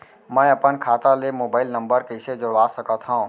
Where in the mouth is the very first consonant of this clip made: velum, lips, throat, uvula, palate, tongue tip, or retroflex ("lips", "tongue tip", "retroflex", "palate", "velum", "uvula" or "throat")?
lips